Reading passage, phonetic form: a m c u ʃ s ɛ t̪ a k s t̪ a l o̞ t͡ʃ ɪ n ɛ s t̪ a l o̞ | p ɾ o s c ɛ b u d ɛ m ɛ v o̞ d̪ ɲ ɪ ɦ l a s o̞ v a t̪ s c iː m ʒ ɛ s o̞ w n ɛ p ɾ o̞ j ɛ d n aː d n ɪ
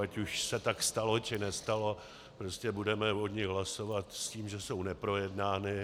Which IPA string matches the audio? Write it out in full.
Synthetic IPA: a c u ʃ s ɛ t̪ a k s t̪ a l o̞ t͡ʃ ɪ n ɛ s t̪ a l o̞ | p ɾ o s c ɛ b u d ɛ m ɛ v o̞ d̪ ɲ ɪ ɦ l a s o̞ v a t̪ s c iː m ʒ ɛ s o̞ w n ɛ p ɾ o̞ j ɛ d n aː n ɪ

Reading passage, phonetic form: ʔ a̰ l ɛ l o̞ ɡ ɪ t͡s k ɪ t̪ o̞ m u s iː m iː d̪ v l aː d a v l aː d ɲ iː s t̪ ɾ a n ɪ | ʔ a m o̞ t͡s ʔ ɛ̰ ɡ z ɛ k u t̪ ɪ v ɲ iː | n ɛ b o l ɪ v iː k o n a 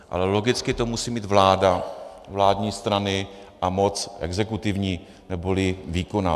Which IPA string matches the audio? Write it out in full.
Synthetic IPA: ʔ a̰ l ɛ l o̞ ɡ ɪ t͡s k ɪ t̪ o̞ m u s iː m iː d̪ v l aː d a v l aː d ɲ iː s t̪ ɾ a n ɪ | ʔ a m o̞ t͡s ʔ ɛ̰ ɡ z ɛ k u t̪ ɪ v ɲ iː | n ɛ b o l ɪ v iː k o n a

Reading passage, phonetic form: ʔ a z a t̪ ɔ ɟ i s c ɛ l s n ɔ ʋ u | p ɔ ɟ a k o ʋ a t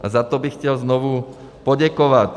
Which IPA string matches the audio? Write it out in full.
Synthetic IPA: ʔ a z a t̪ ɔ b i x c ɛ l z n ɔ ʋ u | p ɔ ɟ a k ɔ ʋ a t

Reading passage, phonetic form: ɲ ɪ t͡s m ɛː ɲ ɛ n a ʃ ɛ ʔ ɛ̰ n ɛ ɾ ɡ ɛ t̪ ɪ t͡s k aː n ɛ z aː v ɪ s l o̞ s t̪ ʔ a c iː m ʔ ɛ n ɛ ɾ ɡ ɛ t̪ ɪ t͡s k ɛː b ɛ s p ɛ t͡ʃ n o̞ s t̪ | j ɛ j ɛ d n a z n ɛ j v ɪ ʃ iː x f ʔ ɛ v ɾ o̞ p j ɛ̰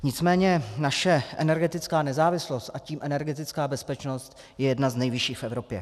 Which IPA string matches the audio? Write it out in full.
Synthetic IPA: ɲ ɪ t͡s m ɛː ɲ ɛ n a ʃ ɛ ʔ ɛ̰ n ɛ ɾ ɡ ɛ t̪ ɪ t͡s k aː n ɛ z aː v ɪ s l o̞ s t̪ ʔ a c iː m ʔ ɛ n ɛ ɾ ɡ ɛ t̪ ɪ t͡s k aː b ɛ s p ɛ t͡ʃ n o̞ s t̪ | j ɛ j ɛ d n a z n ɛ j v ɪ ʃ iː x f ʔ ɛ v ɾ o̞ p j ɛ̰

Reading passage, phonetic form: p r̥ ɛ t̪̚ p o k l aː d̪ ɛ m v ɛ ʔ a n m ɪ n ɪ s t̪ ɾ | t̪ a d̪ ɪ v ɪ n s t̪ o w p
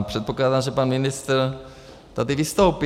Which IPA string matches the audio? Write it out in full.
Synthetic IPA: p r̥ ɛ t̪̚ p o k l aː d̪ a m ʒ ɛ p a n m ɪ n ɪ s t̪ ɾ | t̪ a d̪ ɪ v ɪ s t̪ o w p

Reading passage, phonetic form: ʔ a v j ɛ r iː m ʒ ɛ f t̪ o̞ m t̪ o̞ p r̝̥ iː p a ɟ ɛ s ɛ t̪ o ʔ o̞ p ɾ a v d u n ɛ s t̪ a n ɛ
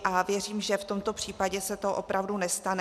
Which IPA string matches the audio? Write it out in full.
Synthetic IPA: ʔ a v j ɛ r iː m ʒ ɛ f t̪ o̞ m t̪ o̞ p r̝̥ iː p a ɟ ɛ s ɛ t̪ o ʔ o̞ p ɾ a v d u n ɛ s t̪ a n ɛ

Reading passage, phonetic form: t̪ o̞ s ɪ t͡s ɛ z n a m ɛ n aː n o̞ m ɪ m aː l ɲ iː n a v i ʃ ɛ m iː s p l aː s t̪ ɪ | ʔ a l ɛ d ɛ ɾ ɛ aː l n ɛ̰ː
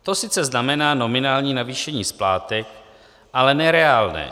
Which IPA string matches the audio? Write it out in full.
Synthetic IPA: t̪ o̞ s ɪ t͡s ɛ z n a m ɛ n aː n o̞ m ɪ n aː l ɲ iː n a v iː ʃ ɛ ɲ iː s p l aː t̪ ɪ | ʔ a l ɛ n ɛ ɾ ɛ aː l n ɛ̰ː

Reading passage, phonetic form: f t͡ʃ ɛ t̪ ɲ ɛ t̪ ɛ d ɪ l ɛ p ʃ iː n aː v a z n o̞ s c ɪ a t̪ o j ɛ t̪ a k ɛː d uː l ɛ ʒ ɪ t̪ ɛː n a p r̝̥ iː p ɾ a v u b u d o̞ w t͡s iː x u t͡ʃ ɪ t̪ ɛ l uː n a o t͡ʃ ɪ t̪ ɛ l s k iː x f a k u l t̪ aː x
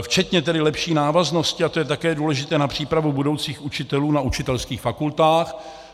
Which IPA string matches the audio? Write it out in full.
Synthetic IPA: f t͡ʃ ɛ t̪ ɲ ɛ t̪ ɛ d ɪ l ɛ p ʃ iː n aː v a z n o̞ s c ɪ a t̪ o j ɛ t̪ a k ɛː d uː l ɛ ʒ ɪ t̪ ɛː n a p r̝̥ iː p ɾ a v u b u d o̞ w t͡s iː x u t͡ʃ ɪ t̪ ɛ l uː n a u t͡ʃ ɪ t̪ ɛ l s k iː x f a k u l t̪ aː x

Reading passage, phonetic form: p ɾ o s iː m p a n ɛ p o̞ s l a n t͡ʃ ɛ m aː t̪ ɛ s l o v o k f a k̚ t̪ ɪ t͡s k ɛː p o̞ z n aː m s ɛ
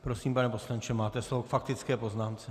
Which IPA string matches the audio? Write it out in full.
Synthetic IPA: p ɾ o s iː m p a n ɛ p o̞ s l a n t͡ʃ ɛ m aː t̪ ɛ s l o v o k f a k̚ t̪ ɪ t͡s k ɛː p o̞ z n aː m t͡s ɛ

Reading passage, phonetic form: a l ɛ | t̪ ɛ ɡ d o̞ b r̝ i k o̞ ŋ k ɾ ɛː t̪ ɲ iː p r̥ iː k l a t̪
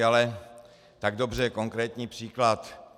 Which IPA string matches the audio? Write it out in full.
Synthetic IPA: a l ɛ | t̪ a ɡ d o̞ b r̝ ɛ k o̞ ŋ k ɾ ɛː t̪ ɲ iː p r̥ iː k l a t̪

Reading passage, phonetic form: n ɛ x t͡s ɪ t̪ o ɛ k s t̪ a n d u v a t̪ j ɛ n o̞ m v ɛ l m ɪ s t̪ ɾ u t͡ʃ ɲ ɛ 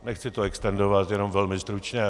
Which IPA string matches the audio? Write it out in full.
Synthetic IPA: n ɛ x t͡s ɪ t̪ o ɛ k s t̪ ɛ n d o v a t̪ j ɛ n o̞ m v ɛ l m ɪ s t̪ ɾ u t͡ʃ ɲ ɛ

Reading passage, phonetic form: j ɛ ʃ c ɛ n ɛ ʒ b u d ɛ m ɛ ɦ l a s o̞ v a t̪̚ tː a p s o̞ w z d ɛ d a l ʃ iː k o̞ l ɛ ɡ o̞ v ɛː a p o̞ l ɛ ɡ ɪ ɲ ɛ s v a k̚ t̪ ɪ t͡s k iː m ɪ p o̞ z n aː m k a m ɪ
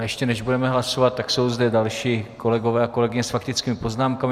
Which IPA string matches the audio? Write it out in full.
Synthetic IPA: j ɛ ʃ c ɛ n ɛ ʒ b u d ɛ m ɛ ɦ l a s o̞ v a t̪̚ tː a k s o̞ w z d ɛ d a l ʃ iː k o̞ l ɛ ɡ o̞ v ɛː a k o̞ l ɛ ɡ ɪ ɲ ɛ s f a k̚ t̪ ɪ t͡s k iː m ɪ p o̞ z n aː m k a m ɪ

